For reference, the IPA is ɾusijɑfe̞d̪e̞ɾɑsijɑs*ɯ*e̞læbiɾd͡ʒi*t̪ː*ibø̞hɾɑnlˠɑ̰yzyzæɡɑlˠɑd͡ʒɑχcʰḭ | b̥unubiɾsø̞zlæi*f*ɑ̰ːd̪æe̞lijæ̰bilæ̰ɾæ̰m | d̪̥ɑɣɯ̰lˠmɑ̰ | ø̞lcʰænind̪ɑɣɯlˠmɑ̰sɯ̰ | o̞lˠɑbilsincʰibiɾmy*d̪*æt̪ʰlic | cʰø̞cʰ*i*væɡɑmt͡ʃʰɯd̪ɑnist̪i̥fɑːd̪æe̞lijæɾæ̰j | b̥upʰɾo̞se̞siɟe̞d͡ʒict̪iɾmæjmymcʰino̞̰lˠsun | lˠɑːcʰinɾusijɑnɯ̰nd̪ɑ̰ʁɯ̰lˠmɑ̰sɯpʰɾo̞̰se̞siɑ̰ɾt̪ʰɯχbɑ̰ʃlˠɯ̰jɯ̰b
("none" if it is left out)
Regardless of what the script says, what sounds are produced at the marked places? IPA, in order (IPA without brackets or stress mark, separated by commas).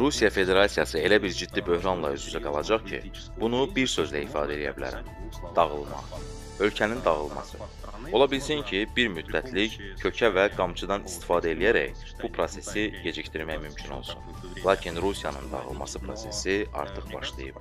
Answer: ɯ, d̪ː, f, d̪ː, æ